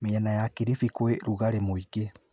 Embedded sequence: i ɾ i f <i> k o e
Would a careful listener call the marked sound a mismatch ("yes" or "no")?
no